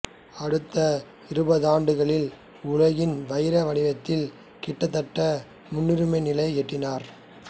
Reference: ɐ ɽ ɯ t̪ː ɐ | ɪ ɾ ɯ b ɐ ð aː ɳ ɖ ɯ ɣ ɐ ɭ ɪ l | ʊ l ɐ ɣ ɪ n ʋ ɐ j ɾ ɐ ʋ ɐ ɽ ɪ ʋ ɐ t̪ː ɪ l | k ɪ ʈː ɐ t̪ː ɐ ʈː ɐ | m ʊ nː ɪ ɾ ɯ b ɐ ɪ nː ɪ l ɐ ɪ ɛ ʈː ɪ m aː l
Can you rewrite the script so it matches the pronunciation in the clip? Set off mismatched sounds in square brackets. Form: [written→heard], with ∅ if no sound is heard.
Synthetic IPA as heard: ɐ ɽ ɯ t̪ː ɐ | ɪ ɾ ɯ b ɐ ð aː ɳ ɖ ɯ ɣ ɐ ɭ ɪ l | ʊ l ɐ ɣ ɪ n ʋ ɐ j ɾ ɐ ʋ ɐ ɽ ɪ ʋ ɐ t̪ː ɪ l | k ɪ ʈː ɐ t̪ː ɐ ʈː ɐ | m ʊ nː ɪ ɾ ɯ [b→m] ɐ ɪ [nː→n] ɪ l ɐ ɪ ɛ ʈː ɪ [m→n] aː [l→ɾ]